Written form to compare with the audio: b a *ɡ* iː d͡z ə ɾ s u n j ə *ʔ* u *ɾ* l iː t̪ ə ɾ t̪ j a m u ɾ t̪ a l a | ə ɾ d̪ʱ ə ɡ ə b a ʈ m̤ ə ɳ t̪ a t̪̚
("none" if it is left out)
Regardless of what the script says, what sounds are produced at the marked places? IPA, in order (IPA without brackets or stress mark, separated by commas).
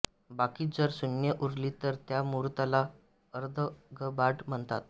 k, ʔ, ɾ